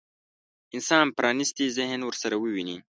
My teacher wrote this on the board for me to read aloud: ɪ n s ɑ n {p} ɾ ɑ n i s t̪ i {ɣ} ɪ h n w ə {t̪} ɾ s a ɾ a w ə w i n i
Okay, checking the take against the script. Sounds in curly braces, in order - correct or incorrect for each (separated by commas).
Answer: correct, incorrect, incorrect